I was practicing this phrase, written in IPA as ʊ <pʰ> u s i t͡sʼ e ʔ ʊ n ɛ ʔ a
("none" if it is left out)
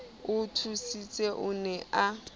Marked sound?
tʰ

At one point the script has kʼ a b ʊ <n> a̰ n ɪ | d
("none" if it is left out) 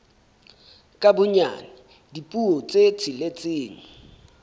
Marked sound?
ɲ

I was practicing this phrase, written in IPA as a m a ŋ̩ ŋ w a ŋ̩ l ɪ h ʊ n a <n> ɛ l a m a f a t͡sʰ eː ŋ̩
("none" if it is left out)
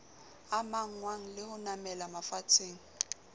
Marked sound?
m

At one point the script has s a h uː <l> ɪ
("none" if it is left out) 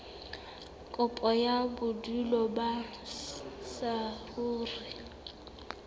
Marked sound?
r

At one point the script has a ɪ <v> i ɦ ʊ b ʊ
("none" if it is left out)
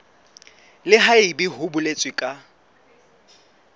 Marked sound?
b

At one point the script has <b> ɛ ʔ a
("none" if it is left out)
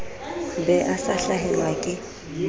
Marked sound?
b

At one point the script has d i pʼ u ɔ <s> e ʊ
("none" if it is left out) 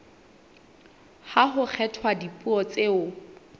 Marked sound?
t͡s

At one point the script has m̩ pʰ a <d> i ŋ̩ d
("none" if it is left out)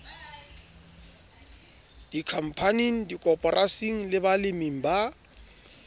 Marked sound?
n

